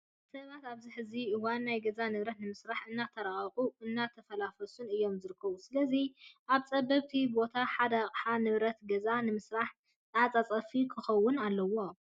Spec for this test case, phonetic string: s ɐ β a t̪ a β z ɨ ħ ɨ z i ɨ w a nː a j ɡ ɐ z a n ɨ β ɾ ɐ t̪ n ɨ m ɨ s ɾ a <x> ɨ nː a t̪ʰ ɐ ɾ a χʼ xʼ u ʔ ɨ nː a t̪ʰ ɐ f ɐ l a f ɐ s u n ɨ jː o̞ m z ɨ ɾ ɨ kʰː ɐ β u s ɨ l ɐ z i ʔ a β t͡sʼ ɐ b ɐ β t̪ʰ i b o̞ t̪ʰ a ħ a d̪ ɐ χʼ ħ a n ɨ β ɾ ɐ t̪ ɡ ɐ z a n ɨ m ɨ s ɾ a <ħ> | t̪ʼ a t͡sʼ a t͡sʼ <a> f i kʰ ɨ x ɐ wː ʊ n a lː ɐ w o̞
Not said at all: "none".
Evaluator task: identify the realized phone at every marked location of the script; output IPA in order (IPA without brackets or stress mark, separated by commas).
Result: ħ, ħ, ɐ